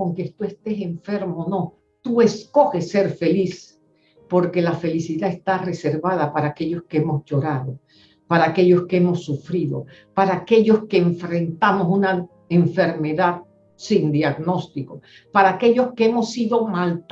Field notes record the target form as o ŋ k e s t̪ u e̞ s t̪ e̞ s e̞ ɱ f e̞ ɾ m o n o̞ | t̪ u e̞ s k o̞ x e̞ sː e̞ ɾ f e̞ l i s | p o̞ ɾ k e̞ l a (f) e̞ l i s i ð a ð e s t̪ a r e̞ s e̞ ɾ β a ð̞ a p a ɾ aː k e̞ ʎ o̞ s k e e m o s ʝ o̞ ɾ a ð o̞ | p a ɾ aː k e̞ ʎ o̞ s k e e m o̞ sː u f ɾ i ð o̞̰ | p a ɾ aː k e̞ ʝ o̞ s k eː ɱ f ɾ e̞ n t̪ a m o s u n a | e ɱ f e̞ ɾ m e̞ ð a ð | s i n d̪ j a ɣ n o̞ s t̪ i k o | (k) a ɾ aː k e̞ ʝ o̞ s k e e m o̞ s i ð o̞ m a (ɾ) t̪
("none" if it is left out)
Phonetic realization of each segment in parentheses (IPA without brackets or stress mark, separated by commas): f, p, l